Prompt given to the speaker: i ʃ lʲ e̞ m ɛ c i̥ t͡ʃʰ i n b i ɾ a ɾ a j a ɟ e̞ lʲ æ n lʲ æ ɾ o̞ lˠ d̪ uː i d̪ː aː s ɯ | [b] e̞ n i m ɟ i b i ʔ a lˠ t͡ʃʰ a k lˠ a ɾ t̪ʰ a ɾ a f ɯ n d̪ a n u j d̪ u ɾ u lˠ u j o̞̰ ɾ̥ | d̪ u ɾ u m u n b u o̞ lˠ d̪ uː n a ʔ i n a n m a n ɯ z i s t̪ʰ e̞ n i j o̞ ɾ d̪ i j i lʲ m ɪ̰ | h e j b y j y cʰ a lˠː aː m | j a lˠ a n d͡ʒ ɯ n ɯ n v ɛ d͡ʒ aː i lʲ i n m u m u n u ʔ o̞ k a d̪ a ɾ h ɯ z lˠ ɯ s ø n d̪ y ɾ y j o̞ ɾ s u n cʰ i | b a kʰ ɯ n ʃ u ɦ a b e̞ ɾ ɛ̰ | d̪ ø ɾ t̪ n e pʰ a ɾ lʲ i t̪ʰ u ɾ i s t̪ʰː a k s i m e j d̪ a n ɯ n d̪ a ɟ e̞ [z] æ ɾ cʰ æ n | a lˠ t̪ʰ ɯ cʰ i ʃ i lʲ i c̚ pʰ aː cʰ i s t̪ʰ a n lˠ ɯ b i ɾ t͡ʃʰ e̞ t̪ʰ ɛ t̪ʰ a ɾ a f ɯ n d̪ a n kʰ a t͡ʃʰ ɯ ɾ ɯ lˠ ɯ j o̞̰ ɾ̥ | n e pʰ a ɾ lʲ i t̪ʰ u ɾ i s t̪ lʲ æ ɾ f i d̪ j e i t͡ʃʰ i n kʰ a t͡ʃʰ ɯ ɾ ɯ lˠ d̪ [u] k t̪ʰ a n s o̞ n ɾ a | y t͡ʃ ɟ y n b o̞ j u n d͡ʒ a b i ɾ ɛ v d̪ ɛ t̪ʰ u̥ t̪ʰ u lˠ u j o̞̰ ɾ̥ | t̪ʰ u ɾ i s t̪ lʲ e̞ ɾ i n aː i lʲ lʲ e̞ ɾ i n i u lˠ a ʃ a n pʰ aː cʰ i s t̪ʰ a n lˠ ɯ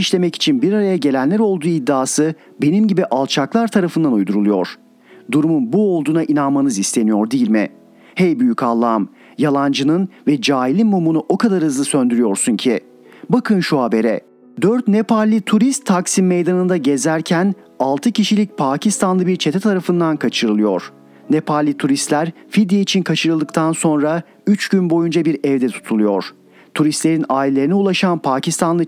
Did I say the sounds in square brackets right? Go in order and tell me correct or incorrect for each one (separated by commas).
correct, correct, incorrect